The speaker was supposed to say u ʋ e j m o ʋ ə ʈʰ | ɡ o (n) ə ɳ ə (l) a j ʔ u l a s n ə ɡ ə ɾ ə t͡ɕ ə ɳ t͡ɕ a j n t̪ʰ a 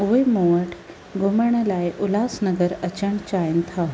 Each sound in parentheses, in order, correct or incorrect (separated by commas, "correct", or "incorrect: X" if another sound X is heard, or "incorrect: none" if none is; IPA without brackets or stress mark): incorrect: m, correct